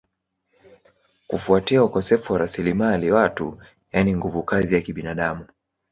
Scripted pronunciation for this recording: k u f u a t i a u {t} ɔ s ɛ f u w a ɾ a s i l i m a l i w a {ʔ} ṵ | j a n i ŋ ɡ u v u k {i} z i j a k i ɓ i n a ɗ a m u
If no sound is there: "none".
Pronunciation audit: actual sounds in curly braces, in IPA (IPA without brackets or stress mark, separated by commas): k, t, a